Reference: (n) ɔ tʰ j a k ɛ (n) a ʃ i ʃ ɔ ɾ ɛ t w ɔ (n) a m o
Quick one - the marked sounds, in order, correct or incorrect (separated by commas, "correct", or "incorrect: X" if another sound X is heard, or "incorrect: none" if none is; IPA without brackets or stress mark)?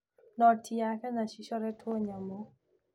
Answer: correct, correct, incorrect: ɲ